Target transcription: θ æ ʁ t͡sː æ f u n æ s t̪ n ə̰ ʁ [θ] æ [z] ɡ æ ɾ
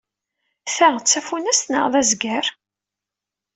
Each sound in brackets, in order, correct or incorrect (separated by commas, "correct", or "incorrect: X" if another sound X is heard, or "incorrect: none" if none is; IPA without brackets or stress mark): incorrect: ð, correct